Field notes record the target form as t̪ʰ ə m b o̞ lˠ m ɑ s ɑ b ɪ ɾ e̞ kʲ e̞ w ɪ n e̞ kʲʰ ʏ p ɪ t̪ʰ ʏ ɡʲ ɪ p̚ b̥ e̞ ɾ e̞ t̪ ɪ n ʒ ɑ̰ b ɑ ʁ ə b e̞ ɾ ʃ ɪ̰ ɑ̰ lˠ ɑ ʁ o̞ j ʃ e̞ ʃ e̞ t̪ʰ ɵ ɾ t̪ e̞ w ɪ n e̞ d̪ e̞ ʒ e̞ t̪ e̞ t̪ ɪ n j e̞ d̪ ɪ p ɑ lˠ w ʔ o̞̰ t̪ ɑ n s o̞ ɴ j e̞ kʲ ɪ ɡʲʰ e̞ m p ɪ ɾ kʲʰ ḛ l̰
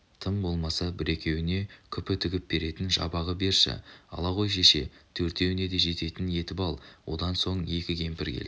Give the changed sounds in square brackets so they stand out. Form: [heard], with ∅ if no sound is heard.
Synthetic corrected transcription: t̪ʰ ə m b o̞ lˠ m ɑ s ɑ b ɪ ɾ e̞ kʲ e̞ w ɪ n e̞ kʲʰ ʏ p ɪ t̪ʰ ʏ ɡʲ ɪ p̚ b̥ e̞ ɾ e̞ t̪ ɪ n ʒ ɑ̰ b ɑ ʁ ə b e̞ ɾ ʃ ɪ̰ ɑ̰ lˠ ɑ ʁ o̞ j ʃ e̞ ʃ e̞ t̪ʰ ɵ ɾ t̪ e̞ w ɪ n e̞ d̪ e̞ ʒ e̞ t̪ e̞ t̪ ɪ n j e̞ [t̪] ɪ p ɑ lˠ w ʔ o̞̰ [d̪] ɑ n s o̞ ɴ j e̞ kʲ ɪ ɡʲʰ e̞ m p ɪ ɾ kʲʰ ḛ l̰